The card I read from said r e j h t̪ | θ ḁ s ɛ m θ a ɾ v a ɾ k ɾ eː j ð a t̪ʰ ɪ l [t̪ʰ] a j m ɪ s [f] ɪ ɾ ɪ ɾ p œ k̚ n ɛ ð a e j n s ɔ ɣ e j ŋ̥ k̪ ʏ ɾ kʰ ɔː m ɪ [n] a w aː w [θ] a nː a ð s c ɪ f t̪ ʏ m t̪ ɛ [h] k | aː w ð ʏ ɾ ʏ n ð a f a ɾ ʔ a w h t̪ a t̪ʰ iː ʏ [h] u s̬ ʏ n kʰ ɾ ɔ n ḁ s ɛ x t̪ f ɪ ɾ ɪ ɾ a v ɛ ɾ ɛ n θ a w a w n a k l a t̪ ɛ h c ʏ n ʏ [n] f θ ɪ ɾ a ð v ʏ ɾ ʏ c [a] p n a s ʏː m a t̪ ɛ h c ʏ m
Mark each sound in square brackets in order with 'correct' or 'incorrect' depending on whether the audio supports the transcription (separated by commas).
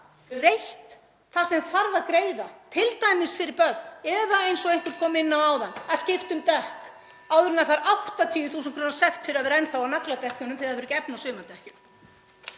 incorrect, correct, incorrect, incorrect, correct, incorrect, incorrect, incorrect